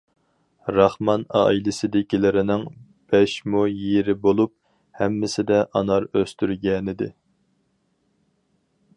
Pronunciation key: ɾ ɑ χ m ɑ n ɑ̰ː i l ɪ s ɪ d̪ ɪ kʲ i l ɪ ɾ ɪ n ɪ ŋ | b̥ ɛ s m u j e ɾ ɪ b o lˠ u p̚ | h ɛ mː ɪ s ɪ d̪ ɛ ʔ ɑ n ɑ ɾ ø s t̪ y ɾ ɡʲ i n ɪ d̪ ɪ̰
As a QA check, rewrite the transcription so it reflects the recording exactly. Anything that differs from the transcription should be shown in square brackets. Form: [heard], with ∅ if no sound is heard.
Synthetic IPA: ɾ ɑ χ m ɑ n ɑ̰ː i l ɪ s ɪ d̪ ɪ kʲ i l ɪ ɾ ɪ n ɪ ŋ | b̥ ɛ [ʃ] m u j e ɾ ɪ b o lˠ u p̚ | h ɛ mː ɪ s ɪ d̪ ɛ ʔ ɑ n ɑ ɾ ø s t̪ y ɾ ɡʲ [ɛ] n ɪ d̪ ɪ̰